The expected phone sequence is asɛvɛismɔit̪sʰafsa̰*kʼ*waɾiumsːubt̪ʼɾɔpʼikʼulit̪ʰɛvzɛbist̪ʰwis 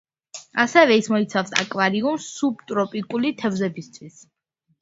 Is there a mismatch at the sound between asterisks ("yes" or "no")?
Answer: no